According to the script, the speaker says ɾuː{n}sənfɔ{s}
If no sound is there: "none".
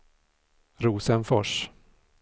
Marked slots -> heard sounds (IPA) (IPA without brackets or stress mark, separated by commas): none, ʂ